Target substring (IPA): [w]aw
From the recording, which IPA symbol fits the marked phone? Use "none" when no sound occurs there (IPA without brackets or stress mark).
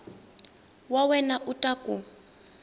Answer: w